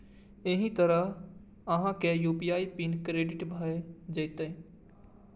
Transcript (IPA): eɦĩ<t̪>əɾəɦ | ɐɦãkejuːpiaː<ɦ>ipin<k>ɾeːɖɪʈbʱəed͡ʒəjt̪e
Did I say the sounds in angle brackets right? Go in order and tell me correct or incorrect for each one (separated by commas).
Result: correct, incorrect, correct